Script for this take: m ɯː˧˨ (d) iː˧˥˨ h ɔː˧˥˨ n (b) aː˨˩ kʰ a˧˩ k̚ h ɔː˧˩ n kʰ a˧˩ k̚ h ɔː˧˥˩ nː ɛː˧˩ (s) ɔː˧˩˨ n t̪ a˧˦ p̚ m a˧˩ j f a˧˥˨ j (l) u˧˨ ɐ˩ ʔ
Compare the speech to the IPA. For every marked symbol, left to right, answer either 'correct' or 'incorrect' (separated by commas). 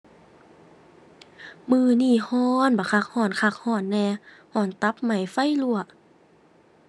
incorrect, correct, incorrect, correct